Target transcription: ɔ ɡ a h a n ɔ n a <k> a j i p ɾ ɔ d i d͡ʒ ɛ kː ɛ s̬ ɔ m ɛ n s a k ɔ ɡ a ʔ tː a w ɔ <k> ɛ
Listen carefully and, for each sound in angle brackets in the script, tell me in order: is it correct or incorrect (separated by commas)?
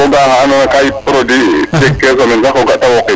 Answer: correct, correct